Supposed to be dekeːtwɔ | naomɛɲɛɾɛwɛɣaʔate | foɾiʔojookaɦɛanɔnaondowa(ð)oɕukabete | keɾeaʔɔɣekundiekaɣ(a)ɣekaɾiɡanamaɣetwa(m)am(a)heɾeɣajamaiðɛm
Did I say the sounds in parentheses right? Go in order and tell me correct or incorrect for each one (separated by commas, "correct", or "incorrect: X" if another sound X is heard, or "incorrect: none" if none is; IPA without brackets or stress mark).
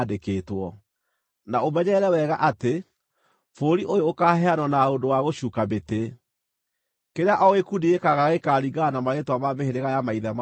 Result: incorrect: ɣ, correct, correct, incorrect: e